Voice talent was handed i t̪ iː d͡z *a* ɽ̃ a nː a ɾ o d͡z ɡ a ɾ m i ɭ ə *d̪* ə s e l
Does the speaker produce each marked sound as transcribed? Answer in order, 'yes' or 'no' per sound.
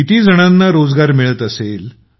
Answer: no, no

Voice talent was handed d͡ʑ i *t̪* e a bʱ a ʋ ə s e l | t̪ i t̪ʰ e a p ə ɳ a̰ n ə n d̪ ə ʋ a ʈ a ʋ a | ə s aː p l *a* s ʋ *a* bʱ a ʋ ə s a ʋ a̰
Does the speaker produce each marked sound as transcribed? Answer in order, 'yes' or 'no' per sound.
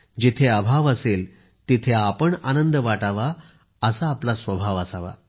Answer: no, yes, no

